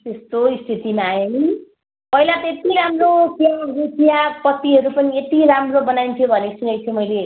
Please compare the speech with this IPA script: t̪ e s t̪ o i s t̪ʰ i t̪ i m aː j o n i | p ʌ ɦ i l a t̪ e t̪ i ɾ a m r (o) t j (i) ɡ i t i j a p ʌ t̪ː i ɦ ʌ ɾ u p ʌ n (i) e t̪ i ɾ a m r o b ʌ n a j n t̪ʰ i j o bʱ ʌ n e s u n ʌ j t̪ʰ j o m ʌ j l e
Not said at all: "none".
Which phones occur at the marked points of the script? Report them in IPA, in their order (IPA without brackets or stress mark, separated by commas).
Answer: o, a, i